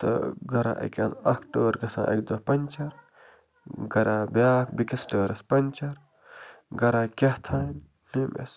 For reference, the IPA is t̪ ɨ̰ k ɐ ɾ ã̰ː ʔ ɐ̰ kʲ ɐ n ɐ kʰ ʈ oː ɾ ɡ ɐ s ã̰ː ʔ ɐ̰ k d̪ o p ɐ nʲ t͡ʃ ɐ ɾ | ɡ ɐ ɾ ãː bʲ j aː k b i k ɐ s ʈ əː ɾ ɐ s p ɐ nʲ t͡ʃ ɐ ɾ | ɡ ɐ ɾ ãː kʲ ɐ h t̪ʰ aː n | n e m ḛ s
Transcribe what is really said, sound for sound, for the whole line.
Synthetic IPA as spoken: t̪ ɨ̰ ɡ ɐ ɾ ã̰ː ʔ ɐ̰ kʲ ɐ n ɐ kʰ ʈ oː ɾ ɡ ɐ s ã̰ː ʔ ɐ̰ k d̪ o p ɐ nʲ t͡ʃ ɐ ɾ | ɡ ɐ ɾ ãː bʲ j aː k b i k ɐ s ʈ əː ɾ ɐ s p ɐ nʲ t͡ʃ ɐ ɾ | ɡ ɐ ɾ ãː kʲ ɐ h t̪ʰ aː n | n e m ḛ s